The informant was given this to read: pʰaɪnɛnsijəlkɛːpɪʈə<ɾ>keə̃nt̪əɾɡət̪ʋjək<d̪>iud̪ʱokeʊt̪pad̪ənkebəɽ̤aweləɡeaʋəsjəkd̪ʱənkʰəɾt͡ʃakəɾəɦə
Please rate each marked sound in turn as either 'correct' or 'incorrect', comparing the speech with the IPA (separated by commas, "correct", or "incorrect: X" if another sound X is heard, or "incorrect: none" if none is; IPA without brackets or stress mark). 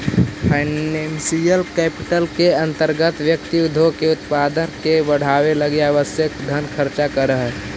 incorrect: l, incorrect: t̪